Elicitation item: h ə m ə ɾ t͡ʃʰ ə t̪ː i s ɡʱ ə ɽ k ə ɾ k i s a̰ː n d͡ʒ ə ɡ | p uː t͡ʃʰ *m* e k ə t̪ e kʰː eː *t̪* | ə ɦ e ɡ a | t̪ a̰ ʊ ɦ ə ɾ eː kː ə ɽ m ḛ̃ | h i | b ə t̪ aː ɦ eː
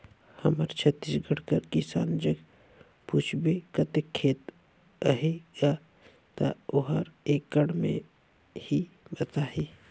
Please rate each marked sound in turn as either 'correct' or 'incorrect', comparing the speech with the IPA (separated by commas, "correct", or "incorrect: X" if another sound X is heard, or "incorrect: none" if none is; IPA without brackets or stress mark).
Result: incorrect: b, correct